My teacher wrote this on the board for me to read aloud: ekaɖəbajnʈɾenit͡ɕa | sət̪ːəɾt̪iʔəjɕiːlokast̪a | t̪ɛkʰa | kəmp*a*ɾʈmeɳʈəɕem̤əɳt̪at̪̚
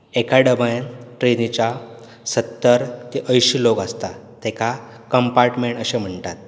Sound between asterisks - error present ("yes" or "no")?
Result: no